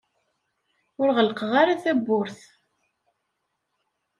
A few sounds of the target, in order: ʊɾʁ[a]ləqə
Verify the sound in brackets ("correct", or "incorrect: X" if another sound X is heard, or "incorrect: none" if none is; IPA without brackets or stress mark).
incorrect: ə